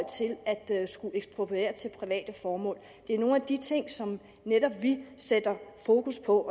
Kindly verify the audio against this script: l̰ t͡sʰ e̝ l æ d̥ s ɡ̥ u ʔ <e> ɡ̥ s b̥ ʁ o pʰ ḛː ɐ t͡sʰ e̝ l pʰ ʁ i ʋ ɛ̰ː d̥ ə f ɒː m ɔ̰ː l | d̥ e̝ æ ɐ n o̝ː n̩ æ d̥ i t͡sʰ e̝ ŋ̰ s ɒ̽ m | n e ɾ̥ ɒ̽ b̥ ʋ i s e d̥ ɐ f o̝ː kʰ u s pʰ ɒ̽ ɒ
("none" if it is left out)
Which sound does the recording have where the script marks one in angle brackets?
e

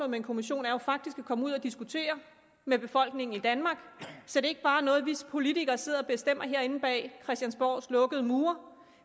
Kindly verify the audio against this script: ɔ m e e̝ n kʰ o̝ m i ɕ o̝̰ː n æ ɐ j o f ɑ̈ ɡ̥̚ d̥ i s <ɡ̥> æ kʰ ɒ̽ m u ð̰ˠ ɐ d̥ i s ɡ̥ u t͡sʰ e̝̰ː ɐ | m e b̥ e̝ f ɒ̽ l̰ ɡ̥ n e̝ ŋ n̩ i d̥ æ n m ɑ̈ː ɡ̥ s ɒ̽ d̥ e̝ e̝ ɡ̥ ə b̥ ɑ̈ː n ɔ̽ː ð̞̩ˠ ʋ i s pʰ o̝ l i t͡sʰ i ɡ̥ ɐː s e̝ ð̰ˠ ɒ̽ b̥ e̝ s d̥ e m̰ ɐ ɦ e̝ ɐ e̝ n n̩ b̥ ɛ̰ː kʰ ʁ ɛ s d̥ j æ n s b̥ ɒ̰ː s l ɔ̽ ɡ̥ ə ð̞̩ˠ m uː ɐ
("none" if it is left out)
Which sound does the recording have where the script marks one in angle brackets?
ɡ̥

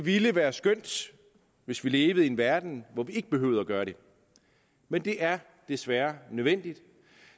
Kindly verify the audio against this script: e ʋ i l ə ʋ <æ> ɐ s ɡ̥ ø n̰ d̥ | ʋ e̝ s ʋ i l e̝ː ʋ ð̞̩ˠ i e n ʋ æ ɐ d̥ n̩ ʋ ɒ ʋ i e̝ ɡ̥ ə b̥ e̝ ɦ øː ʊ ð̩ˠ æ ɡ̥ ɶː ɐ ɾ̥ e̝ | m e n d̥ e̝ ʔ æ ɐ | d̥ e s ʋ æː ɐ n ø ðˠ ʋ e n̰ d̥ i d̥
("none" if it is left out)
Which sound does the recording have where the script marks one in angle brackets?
æː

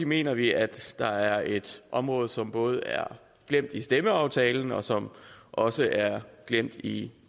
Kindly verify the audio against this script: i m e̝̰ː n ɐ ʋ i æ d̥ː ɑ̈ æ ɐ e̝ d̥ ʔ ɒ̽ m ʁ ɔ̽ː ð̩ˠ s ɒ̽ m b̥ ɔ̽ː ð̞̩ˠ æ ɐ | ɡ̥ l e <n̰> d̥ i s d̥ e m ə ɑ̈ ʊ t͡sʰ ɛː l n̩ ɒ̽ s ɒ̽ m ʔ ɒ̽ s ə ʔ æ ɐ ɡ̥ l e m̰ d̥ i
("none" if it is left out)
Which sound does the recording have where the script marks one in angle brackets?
m̰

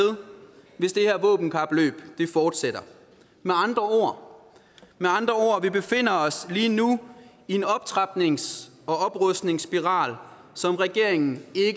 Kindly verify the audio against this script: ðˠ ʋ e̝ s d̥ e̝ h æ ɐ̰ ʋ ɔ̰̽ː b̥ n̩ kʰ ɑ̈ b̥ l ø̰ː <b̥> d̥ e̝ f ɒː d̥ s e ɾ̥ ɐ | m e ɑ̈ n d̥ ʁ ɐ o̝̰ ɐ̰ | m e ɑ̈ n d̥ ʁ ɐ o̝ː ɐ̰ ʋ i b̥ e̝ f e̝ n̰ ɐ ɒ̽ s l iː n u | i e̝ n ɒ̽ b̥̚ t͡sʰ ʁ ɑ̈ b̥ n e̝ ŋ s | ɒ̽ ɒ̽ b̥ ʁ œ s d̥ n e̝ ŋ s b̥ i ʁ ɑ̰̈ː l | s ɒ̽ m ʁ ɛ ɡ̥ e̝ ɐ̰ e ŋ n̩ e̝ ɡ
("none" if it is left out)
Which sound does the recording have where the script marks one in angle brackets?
b̥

